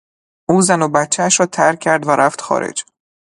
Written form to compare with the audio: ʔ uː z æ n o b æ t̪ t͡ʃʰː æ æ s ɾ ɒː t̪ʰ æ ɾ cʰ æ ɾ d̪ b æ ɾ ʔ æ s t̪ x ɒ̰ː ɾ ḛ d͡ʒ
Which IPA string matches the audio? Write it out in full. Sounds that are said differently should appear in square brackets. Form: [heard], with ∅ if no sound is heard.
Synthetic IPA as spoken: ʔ uː z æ n o b æ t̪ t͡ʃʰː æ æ [ʃ] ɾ ɒː t̪ʰ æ ɾ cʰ æ ɾ d̪ [v] æ ɾ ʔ æ [f] t̪ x ɒ̰ː ɾ ḛ d͡ʒ